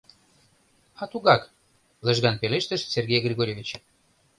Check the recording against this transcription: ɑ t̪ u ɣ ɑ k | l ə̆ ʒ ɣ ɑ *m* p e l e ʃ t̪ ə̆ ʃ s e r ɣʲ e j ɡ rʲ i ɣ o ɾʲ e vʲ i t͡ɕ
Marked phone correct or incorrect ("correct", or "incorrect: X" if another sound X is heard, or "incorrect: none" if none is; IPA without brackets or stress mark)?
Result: incorrect: n